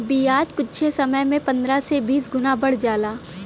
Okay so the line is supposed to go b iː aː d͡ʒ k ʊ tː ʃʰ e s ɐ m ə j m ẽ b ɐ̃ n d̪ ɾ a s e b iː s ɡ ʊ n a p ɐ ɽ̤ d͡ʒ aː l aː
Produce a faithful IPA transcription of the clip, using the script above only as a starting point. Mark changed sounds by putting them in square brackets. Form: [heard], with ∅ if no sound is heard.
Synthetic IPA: b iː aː d͡ʒ k ʊ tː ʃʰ e s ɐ m ə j m ẽ [p] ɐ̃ n d̪ ɾ a s e b iː s ɡ ʊ n a [b] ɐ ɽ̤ d͡ʒ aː l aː

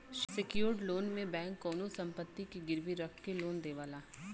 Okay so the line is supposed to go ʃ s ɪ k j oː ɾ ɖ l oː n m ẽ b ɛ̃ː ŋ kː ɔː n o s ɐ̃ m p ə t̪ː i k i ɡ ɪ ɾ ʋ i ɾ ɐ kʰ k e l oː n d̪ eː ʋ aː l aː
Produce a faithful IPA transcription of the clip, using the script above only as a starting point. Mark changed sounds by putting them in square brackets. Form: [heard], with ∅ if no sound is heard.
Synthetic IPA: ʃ s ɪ k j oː ɾ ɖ l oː n m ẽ b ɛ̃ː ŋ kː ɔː n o s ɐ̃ m p ə t̪ː i k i ɡ ɪ ɾ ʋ i ɾ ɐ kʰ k e l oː n d̪ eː ʋ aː l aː

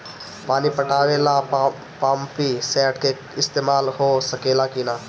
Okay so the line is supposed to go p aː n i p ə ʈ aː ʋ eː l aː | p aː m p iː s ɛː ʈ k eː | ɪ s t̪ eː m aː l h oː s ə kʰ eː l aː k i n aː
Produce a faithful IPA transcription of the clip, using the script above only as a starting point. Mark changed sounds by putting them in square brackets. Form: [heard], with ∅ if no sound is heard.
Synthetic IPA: p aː n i p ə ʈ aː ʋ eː l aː | p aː m p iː s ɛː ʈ k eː | ɪ s t̪ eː m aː l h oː s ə [k] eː l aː k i n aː

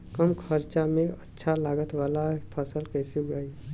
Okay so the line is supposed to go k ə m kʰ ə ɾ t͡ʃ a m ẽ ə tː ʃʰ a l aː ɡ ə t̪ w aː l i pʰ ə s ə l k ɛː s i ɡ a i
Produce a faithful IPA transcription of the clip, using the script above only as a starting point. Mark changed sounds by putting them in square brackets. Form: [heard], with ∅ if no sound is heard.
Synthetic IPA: k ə m kʰ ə ɾ t͡ʃ a m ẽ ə tː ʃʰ a l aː ɡ ə t̪ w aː l [a] pʰ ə s ə l k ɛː s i ɡ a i

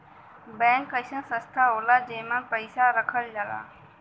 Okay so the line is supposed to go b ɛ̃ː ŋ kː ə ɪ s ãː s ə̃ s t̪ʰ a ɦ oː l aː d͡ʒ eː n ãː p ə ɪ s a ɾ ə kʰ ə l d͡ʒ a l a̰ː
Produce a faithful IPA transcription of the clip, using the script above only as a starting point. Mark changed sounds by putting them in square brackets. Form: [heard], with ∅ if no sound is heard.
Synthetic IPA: b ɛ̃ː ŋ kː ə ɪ s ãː s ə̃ s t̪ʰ a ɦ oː l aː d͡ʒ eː [m] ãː p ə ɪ s a ɾ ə kʰ ə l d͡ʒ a l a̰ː

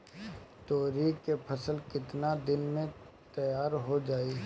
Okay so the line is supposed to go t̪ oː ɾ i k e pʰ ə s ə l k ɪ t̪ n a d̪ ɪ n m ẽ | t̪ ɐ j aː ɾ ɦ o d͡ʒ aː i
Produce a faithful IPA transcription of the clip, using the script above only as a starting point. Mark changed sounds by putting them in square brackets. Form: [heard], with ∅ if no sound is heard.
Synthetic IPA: t̪ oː ɾ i k e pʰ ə s ə l k ɪ t̪ n a d̪ ɪ n m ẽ | t̪ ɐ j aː ɾ ɦ o d͡ʒ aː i

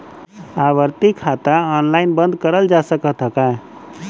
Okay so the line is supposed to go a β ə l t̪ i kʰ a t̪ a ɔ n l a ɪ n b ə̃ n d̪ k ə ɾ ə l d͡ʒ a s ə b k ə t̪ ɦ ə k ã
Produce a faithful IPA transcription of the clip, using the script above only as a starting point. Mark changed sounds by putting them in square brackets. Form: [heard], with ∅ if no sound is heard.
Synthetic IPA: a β ə [ɾ] t̪ i kʰ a t̪ a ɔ n l a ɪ n b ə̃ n d̪ k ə ɾ ə l d͡ʒ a s ə [∅] k ə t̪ ɦ ə k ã

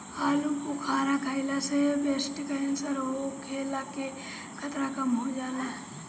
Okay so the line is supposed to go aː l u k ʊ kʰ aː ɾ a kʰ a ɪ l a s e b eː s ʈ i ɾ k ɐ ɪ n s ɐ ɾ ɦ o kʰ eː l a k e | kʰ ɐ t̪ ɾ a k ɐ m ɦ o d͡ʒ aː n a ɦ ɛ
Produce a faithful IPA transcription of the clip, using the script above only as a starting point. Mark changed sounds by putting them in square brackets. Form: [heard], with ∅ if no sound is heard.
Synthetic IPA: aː l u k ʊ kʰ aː ɾ a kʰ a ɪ l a s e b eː s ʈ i [∅] k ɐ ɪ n s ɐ ɾ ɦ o kʰ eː l a k e | kʰ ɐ t̪ ɾ a k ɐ m ɦ o d͡ʒ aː n a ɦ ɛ

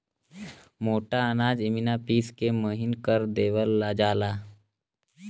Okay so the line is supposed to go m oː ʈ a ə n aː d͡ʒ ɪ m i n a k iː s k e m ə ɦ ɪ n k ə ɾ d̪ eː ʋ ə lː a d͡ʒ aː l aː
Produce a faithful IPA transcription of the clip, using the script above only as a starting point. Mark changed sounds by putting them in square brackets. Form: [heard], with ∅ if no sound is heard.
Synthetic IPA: m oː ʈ a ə n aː d͡ʒ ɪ m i n a [p] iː s k e m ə ɦ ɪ n k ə ɾ d̪ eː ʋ ə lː a d͡ʒ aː l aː

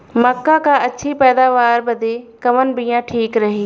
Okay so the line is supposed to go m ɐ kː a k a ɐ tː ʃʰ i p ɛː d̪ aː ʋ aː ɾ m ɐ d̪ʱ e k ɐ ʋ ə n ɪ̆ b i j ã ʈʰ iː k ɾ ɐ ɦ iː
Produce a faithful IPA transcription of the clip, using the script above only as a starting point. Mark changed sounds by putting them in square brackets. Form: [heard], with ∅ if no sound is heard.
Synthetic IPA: m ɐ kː a k a ɐ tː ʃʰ i p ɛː d̪ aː ʋ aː ɾ [b] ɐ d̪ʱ e k ɐ ʋ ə n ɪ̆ b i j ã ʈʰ iː k ɾ ɐ ɦ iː

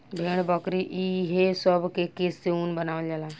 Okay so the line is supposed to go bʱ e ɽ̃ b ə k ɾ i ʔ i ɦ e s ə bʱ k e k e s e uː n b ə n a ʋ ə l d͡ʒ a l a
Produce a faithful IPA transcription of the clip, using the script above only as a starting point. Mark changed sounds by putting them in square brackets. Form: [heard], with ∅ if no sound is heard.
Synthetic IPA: bʱ e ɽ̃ b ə k ɾ i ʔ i ɦ e s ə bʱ k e k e s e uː n b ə n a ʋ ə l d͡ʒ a l a

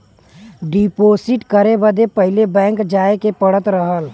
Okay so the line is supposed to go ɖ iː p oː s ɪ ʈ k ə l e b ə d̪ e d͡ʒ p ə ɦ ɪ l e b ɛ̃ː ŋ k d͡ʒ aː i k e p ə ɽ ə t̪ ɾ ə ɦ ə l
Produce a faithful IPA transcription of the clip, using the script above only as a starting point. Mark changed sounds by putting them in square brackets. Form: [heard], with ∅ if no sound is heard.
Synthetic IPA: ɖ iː p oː s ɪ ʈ k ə [ɾ] e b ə d̪ e [∅] p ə ɦ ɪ l e b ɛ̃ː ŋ k d͡ʒ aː [e] k e p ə ɽ ə t̪ ɾ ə ɦ ə l

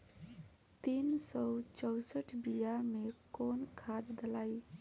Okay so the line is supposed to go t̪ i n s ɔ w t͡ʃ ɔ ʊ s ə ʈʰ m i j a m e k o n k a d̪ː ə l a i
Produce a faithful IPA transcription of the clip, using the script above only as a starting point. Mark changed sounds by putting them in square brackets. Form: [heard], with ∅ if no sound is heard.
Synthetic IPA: t̪ i n s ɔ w t͡ʃ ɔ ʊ s ə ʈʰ [b] i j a m e k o n [kʰ] a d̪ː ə l a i

